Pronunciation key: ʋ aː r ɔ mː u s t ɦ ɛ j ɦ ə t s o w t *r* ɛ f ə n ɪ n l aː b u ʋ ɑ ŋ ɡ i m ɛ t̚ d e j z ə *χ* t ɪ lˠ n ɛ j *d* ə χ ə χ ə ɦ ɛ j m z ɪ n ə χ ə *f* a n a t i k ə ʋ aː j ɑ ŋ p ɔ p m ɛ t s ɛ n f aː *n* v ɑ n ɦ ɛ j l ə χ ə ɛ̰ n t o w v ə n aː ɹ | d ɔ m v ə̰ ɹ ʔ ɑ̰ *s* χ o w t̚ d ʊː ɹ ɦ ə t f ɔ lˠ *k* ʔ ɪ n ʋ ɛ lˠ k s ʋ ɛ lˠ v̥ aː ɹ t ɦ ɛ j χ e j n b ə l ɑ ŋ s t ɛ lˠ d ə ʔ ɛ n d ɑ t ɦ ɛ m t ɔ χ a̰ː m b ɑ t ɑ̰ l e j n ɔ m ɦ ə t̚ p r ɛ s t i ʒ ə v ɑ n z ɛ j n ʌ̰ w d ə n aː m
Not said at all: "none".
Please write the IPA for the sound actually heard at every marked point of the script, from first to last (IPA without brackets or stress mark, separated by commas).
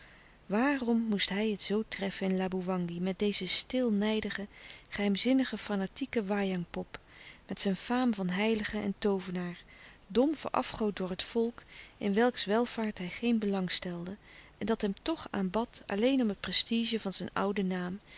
r, s, d, f, m, f, k